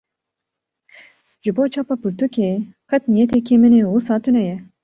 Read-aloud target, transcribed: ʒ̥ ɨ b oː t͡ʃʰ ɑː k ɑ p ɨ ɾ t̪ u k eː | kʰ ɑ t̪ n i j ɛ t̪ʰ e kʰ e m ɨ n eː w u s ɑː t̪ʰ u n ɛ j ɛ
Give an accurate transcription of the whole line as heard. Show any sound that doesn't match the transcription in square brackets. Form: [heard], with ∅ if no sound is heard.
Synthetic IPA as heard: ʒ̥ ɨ b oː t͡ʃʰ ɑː [p] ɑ p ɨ ɾ t̪ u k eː | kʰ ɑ t̪ n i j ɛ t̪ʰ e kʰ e m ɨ n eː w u s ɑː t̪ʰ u n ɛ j ɛ